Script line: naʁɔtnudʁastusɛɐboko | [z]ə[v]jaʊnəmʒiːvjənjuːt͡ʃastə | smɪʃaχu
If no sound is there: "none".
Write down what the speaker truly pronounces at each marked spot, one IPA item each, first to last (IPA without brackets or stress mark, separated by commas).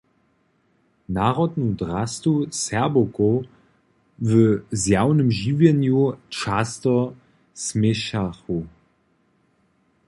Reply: v, z